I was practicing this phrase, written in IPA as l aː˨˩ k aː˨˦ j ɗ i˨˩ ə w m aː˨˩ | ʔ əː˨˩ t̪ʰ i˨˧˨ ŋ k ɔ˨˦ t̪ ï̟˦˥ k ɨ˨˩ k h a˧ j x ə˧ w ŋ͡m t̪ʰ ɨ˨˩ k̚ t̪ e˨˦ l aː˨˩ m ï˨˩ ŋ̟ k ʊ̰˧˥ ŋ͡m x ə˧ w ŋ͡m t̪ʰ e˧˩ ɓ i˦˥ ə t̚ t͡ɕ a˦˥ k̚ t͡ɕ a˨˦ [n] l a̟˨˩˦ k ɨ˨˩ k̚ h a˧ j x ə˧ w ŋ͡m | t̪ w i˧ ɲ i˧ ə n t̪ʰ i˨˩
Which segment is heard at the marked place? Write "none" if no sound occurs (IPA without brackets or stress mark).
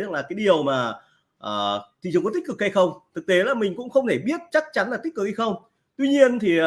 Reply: n